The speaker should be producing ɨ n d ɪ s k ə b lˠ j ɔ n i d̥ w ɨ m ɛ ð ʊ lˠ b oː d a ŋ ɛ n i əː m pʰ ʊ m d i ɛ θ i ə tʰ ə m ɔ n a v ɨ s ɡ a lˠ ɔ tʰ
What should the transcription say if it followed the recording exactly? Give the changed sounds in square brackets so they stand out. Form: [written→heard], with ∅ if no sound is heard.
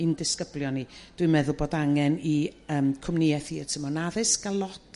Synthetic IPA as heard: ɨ n d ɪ s k ə b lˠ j ɔ n i d̥ w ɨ m ɛ ð ʊ lˠ b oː d a ŋ ɛ n i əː m [pʰ→kʰ] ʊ m [d→n] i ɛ θ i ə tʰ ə m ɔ n a [v→ð] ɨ s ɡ a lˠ ɔ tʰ